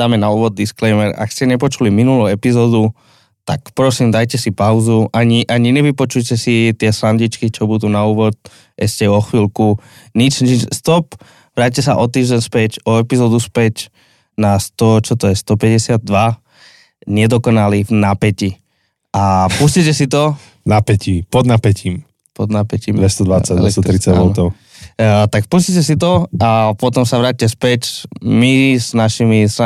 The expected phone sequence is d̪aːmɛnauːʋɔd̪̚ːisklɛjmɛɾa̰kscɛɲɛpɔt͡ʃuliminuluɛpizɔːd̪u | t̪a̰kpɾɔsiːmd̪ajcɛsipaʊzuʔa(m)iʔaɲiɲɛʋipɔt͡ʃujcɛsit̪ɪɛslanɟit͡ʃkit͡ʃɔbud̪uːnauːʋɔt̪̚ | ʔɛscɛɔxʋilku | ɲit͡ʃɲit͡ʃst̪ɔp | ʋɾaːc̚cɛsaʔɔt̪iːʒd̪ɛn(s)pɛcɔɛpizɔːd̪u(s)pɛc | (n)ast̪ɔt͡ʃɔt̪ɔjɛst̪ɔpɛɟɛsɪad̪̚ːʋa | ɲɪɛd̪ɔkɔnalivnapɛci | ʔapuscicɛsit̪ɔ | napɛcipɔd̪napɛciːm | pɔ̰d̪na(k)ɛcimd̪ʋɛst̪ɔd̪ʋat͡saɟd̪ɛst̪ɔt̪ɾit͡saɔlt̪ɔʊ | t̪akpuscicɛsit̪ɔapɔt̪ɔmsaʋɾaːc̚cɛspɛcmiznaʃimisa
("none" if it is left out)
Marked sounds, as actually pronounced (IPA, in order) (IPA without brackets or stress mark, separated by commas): ɲ, s, s, n, p